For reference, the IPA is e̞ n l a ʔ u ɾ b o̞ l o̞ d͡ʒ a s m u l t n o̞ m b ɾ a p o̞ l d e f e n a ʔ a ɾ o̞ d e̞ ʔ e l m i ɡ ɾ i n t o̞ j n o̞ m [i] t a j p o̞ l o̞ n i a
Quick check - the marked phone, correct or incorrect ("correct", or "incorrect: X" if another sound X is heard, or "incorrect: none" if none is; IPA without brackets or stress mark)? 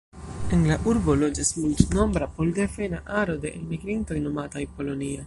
incorrect: a